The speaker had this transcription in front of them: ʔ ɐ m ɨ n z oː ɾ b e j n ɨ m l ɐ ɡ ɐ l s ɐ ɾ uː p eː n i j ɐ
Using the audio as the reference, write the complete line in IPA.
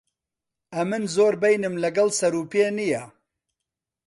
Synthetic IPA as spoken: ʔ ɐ m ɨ n z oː ɾ b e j n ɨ m l ɐ ɡ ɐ l s ɐ ɾ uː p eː n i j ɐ